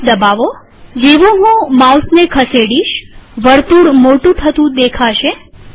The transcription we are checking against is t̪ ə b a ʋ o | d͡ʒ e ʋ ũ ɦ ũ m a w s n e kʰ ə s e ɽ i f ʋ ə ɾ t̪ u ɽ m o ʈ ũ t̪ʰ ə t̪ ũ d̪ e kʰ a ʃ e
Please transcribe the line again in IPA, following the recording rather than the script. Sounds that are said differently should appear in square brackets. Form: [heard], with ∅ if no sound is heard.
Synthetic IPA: [d̪] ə b a ʋ o | d͡ʒ e ʋ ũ ɦ ũ m a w s n e kʰ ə s e ɽ i [ʃ] ʋ ə ɾ t̪ u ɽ m o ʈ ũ t̪ʰ ə t̪ ũ d̪ e kʰ a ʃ e